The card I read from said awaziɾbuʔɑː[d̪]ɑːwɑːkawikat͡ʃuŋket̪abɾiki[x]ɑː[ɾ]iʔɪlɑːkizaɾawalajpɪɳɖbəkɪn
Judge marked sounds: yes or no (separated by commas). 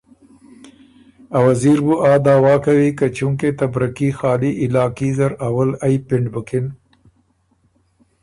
yes, yes, no